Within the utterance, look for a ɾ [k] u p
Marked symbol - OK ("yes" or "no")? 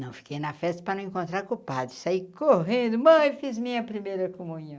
yes